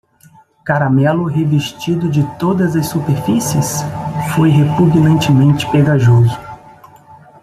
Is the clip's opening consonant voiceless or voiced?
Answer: voiceless